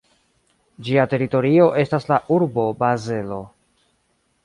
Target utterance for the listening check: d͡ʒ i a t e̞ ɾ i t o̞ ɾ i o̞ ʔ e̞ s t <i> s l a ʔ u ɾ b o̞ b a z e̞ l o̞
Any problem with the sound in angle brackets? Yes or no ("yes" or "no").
yes